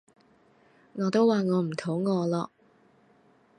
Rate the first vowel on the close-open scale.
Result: mid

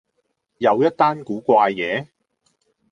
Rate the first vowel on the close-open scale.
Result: open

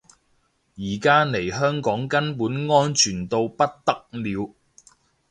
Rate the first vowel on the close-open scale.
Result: close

